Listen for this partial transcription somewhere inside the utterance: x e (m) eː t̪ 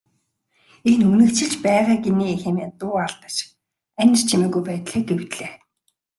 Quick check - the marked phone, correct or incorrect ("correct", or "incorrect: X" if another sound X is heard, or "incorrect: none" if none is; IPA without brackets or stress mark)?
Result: correct